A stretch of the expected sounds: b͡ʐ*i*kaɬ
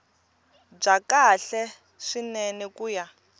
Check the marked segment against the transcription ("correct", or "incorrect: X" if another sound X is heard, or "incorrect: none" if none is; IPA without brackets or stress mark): incorrect: a